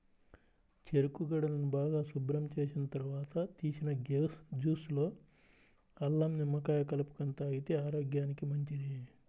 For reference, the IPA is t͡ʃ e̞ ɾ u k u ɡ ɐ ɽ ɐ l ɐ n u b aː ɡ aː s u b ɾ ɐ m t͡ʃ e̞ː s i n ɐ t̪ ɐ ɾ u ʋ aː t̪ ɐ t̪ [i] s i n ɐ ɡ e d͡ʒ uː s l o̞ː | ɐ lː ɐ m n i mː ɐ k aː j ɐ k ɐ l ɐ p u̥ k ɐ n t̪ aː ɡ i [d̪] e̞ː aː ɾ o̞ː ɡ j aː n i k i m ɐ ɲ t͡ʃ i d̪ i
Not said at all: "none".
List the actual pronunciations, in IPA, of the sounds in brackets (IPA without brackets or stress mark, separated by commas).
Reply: iː, t̪